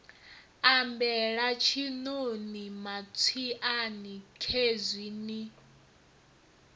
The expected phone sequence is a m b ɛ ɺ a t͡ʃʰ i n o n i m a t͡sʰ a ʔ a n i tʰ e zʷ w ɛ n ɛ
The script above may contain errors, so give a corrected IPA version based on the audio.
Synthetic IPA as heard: a m b ɛ ɺ a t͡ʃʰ i n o n i m a t͡sʰ i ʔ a n i kʰ e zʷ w i n i

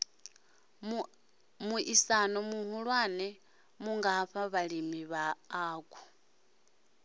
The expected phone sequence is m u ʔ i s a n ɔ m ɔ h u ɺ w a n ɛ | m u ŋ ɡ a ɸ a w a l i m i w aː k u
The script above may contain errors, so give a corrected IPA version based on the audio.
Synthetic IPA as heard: m u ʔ i s a n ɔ m u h u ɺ w a n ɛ | m u ŋ ɡ a ɸ a β a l i m i β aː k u

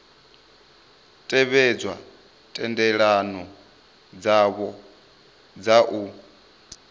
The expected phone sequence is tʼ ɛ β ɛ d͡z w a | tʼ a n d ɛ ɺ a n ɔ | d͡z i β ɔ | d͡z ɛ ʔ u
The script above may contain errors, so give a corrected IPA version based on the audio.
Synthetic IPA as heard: tʼ ɛ β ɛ d͡z w a | tʼ ɛ n d ɛ ɺ a n ɔ | d͡z a β ɔ | d͡z a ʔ u

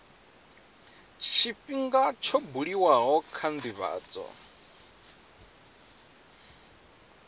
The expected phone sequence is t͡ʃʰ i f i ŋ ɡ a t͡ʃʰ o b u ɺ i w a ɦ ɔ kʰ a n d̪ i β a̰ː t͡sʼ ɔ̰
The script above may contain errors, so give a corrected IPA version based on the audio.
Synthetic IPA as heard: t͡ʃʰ i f i ŋ ɡ a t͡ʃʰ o b u ɺ i w a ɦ ɔ kʰ a n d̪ i β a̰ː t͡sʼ ɔ̰

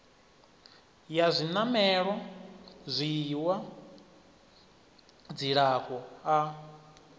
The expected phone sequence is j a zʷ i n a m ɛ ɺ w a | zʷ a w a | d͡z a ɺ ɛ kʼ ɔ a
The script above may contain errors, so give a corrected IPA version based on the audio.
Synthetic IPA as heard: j a zʷ i n a m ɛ ɺ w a | zʷ i w a | d͡z i ɺ a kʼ ɔ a

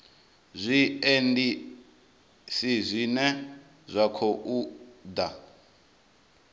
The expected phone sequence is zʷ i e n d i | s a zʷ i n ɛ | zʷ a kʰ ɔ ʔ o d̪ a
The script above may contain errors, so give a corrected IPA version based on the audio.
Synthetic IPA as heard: zʷ i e n d i | s i zʷ i n ɛ | zʷ a kʰ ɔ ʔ u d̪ a

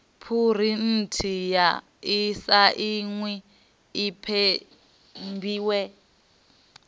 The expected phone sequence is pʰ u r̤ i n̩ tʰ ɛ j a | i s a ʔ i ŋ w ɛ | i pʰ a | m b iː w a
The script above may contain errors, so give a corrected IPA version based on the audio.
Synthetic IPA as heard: pʰ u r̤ i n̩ tʰ i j a | i s a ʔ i ŋ w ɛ | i pʰ ɛ | m b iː w ɛ

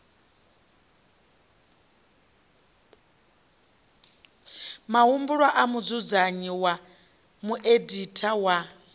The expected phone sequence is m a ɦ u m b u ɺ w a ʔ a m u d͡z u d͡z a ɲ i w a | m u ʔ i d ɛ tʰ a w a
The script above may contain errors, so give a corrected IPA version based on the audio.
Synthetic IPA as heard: m a ɦ u m b u ɺ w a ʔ a m u d͡z u d͡z a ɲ i w a | m u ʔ e d i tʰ a w a

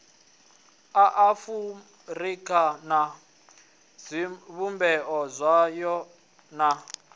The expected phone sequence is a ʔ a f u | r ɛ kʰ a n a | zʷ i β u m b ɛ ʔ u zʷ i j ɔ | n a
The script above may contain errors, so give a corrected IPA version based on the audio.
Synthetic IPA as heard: a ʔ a f u | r i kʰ a n a | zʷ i β u m b ɛ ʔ ɔ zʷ a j ɔ | n a

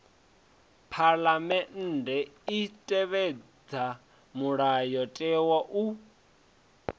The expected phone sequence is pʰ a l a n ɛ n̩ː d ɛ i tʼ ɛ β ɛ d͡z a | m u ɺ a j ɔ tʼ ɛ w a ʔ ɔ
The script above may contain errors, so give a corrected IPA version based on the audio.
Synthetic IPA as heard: pʰ a l a m ɛ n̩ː d ɛ i tʼ ɛ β ɛ d͡z a | m u ɺ a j ɔ tʼ ɛ w a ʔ u

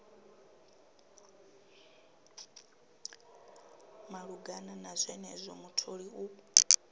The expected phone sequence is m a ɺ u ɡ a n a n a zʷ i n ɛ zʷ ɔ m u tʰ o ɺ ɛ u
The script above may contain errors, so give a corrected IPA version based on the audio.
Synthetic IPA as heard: m a ɺ u ɡ a n a n a zʷ ɛ n ɛ zʷ ɔ m u tʰ o ɺ i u

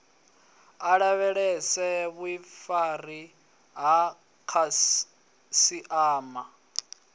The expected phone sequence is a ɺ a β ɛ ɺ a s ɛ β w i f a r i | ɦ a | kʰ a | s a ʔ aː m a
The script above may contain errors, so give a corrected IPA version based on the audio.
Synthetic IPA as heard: a ɺ a β ɛ ɺ ɛ s ɛ β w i f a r i | ɦ a | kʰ a | s i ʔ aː m a

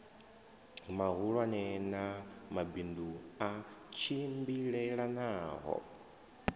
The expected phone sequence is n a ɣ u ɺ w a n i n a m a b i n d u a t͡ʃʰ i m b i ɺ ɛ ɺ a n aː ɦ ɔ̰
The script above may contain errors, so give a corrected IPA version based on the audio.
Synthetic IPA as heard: m a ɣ u ɺ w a n ɛ n a m a b i n d u a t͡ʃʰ i m b i ɺ ɛ ɺ a n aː ɦ ɔ̰

